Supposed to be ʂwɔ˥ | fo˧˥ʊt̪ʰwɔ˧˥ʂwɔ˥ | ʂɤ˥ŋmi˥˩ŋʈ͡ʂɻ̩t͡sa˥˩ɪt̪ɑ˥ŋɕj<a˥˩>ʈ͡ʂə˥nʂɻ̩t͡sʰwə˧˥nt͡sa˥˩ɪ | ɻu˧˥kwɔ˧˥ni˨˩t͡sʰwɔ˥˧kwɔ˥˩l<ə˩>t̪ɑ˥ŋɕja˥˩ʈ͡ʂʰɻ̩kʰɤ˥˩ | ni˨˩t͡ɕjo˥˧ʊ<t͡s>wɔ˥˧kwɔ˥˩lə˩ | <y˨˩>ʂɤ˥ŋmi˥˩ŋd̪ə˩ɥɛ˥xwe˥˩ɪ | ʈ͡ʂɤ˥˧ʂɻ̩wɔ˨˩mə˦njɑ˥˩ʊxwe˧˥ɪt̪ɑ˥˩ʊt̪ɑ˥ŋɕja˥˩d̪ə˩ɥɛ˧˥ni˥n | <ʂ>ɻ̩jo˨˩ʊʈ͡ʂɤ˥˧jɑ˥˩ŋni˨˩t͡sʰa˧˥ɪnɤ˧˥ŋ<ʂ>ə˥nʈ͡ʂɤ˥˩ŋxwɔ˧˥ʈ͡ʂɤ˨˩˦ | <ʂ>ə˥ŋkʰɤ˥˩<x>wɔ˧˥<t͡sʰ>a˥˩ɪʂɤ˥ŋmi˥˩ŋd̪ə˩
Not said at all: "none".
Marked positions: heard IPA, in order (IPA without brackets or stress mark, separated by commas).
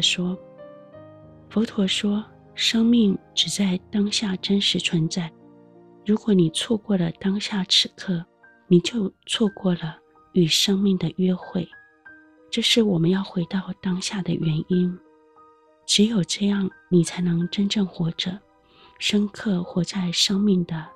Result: a˥˩, ə˩, t͡sʰ, y˨˩, ʈ͡ʂ, ʈ͡ʂ, ʂ, x, t͡s